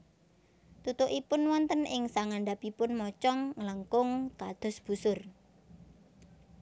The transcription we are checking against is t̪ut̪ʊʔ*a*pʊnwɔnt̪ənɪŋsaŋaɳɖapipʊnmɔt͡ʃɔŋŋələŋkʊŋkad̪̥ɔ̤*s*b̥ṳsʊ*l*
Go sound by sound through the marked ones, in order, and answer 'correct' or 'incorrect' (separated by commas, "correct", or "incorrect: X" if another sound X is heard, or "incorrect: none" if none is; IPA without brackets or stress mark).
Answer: incorrect: i, correct, incorrect: r